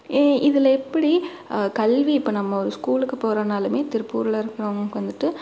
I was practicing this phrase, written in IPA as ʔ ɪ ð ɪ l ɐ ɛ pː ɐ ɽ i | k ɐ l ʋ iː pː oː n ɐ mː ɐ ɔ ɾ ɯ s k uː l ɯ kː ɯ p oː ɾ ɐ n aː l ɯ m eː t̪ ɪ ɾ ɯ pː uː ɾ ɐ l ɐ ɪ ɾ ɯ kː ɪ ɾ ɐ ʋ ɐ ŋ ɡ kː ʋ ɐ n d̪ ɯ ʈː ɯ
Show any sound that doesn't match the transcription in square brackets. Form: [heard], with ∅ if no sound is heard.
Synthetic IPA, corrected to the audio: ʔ ɪ ð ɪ l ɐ ɛ pː ɐ ɽ i | k ɐ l ʋ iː pː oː n ɐ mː ɐ ɔ ɾ ɯ s k uː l ɯ kː ɯ p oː ɾ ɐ n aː l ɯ m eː t̪ ɪ ɾ ɯ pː uː ɾ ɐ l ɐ ɪ ɾ ɯ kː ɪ ɾ ɐ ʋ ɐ ŋ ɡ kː ʋ ɐ n d̪ ɯ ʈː ɯ